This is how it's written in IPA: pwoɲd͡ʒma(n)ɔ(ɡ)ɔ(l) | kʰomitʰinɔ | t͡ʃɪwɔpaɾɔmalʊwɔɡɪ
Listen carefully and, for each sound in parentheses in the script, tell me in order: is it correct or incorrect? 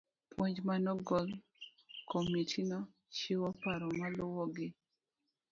correct, correct, correct

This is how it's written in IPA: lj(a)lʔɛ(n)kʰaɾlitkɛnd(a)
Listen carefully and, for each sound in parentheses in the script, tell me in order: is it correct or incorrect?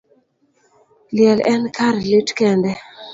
incorrect: ɛ, correct, incorrect: ɛ

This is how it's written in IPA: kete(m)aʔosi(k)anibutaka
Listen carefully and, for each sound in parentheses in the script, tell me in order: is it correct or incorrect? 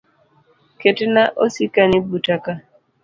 incorrect: n, correct

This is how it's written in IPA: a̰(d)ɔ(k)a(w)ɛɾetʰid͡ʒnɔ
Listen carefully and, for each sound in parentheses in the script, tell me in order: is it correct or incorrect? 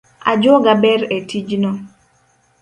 incorrect: d͡ʒ, incorrect: ɡ, incorrect: b

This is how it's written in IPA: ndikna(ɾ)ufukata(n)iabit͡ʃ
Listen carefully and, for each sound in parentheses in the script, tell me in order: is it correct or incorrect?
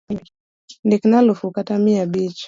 incorrect: l, incorrect: m

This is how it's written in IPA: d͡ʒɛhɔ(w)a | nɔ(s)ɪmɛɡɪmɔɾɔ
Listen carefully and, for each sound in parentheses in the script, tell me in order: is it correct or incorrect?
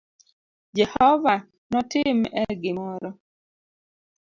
incorrect: v, incorrect: t

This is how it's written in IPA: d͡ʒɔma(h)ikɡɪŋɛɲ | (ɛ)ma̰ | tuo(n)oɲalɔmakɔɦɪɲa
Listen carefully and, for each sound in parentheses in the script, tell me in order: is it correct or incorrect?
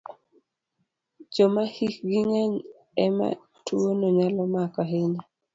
correct, correct, correct

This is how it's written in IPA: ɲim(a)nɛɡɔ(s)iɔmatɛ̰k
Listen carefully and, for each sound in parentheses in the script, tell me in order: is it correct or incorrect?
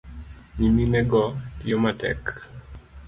incorrect: i, incorrect: t

